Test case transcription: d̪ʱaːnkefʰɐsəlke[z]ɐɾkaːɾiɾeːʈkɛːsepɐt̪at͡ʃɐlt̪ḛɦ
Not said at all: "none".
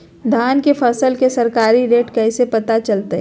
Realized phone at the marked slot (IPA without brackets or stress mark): s